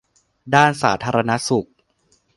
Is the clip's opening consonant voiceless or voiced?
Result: voiced